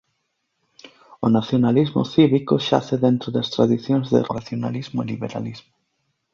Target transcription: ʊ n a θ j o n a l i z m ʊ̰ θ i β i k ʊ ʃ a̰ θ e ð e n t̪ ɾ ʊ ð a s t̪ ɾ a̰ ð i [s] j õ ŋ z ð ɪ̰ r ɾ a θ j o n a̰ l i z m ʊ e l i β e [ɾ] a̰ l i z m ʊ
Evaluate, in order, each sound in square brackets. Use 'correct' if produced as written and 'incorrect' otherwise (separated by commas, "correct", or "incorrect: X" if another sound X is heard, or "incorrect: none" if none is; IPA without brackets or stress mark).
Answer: incorrect: θ, correct